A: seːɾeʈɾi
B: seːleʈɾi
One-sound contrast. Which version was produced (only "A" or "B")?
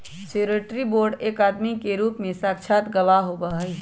A